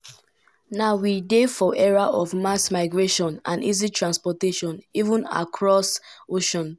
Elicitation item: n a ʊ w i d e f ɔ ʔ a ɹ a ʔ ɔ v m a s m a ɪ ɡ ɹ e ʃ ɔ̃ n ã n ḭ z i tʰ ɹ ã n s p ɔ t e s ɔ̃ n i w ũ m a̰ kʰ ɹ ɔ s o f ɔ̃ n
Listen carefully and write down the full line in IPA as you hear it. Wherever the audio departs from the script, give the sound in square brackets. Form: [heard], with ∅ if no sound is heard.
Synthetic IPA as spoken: n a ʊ w i d e f ɔ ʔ [ɛ] ɹ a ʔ ɔ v m a s m a ɪ ɡ ɹ e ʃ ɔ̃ n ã n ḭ z i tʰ ɹ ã n s p ɔ t e [ʃ] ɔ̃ n i [v] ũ [n] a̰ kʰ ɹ ɔ s o [ʃ] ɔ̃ n